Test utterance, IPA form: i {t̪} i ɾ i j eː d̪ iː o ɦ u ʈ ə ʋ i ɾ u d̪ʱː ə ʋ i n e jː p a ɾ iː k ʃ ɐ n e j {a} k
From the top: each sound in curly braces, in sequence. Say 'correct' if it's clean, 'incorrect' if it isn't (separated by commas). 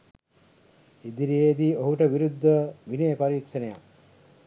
incorrect, correct